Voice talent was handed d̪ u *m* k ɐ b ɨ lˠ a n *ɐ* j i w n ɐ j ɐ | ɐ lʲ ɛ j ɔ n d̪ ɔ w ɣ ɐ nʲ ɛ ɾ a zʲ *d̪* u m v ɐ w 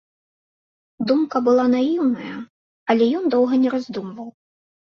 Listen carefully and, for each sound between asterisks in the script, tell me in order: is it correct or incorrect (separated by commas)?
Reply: correct, incorrect, correct